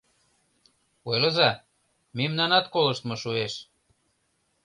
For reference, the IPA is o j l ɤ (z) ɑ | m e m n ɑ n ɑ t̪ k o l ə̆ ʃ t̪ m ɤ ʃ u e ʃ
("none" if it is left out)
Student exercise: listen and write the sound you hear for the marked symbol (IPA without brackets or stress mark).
z